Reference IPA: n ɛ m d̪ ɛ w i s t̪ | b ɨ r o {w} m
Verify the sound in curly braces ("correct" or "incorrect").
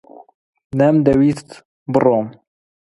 incorrect